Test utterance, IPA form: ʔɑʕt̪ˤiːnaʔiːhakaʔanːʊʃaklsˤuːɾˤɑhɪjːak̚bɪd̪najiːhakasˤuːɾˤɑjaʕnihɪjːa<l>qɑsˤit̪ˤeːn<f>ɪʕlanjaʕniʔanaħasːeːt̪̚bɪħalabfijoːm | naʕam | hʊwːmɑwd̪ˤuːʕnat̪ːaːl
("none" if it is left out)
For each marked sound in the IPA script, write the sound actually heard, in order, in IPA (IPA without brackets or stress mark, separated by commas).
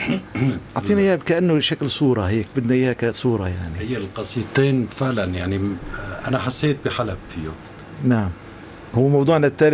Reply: l, f